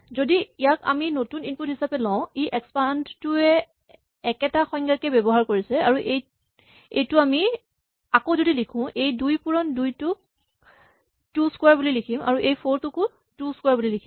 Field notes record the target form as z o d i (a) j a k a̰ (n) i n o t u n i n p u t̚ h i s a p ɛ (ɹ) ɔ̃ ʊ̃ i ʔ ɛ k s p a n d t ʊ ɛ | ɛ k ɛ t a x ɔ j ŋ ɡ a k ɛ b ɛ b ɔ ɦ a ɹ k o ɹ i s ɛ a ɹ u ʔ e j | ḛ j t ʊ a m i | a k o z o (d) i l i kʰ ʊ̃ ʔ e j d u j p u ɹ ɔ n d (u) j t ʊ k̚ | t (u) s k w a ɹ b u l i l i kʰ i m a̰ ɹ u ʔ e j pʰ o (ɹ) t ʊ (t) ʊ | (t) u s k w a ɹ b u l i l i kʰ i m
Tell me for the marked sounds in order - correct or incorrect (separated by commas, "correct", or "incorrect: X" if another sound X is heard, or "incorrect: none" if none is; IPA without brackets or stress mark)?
incorrect: i, incorrect: m, incorrect: l, correct, correct, correct, correct, incorrect: k, correct